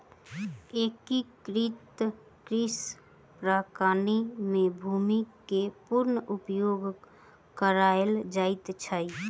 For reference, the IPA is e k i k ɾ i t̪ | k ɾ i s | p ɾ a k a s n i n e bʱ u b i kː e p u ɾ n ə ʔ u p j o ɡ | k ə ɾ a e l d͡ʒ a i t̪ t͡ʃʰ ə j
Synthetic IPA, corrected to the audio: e k i k ɾ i t̪ | k ɾ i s | p ɾ a k a n i m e bʱ u m i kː e p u ɾ n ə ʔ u p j o ɡ | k ə ɾ a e l d͡ʒ a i t̪ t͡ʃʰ ə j